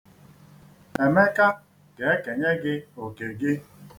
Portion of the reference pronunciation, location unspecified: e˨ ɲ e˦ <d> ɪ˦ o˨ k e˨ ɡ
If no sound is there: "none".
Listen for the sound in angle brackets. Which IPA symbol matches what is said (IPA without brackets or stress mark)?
ɡ